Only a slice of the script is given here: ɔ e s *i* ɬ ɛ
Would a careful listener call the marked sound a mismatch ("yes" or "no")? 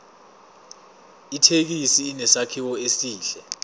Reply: yes